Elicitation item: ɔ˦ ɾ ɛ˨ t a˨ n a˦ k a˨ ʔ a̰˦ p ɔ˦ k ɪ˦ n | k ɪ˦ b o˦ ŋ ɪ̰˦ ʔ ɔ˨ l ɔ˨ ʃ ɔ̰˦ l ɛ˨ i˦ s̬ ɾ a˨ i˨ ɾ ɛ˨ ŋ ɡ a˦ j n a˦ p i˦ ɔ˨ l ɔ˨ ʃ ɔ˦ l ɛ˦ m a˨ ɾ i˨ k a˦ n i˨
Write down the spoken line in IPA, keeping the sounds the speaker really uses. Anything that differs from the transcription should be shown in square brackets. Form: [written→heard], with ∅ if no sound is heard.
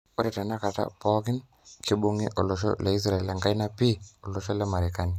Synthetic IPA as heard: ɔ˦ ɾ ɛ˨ t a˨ n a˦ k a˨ [ʔ→t] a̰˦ p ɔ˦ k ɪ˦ n | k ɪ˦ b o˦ ŋ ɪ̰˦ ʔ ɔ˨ l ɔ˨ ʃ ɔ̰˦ l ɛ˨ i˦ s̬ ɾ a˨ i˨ [ɾ→l] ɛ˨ ŋ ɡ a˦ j n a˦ p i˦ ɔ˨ l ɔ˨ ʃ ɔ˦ l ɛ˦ m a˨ ɾ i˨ k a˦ n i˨